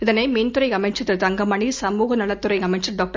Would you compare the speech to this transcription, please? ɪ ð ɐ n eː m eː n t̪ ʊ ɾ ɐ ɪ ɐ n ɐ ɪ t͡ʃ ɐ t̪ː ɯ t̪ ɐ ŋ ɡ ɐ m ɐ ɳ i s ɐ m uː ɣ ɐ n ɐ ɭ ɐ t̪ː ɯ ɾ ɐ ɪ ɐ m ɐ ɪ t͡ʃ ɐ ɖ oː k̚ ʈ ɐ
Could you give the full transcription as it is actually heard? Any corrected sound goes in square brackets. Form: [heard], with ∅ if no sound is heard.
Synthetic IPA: ɪ ð ɐ n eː m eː n t̪ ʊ ɾ ɐ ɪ ɐ [m] ɐ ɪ t͡ʃ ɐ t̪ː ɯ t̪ ɐ ŋ ɡ ɐ m ɐ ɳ i s ɐ m uː ɣ ɐ n ɐ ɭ ɐ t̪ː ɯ ɾ ɐ ɪ ɐ m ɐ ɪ t͡ʃ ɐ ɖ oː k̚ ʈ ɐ